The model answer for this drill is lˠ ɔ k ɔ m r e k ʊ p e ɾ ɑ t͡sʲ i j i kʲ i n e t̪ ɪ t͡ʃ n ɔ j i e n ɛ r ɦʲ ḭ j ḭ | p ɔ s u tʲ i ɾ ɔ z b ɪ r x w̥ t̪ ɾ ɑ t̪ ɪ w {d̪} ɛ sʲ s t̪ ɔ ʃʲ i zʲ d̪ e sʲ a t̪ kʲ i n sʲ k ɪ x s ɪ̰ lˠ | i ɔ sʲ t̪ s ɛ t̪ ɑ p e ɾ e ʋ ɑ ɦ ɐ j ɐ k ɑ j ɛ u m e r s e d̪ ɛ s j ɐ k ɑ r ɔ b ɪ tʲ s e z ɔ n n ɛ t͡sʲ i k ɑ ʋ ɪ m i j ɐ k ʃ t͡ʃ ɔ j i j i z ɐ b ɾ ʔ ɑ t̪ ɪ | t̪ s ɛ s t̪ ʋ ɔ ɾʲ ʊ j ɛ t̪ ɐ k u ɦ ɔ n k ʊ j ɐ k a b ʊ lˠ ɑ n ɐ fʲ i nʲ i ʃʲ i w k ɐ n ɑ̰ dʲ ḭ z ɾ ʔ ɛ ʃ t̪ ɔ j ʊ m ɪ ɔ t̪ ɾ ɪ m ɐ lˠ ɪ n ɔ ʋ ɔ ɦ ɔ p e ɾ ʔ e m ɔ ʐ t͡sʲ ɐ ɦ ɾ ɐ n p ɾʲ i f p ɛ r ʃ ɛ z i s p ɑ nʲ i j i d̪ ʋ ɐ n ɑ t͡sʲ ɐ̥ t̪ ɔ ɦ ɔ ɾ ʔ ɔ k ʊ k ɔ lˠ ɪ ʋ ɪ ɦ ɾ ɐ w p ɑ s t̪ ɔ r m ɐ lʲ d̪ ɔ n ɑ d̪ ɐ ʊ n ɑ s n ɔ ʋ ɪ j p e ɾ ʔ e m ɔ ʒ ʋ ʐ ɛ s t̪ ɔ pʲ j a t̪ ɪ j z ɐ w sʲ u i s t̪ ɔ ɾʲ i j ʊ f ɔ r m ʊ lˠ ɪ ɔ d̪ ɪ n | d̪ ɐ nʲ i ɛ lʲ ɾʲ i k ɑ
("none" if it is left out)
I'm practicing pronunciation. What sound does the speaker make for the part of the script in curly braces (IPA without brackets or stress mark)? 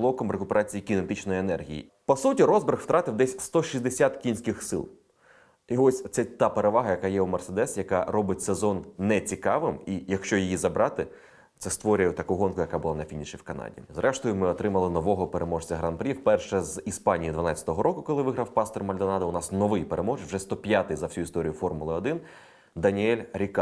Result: d̪